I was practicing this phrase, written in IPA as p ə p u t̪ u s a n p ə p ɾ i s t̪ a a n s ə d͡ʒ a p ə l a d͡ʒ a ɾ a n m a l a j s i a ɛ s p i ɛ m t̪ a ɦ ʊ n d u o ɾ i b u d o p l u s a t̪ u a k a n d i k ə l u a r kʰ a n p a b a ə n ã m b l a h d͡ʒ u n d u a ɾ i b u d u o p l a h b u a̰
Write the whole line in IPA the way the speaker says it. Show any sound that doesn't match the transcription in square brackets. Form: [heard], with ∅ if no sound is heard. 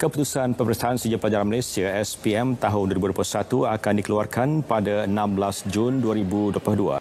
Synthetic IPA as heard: [k] ə p u t̪ u s a n p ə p ɾ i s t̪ a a n s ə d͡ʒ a p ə l a d͡ʒ a ɾ a n m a l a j s i a ɛ s p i ɛ m t̪ a ɦ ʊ n d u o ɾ i b u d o p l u s a t̪ u a k a n d i k ə l u a r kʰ a n p a [d] a ə n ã m b l a [s] d͡ʒ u n d u a ɾ i b u d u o p l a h [d] u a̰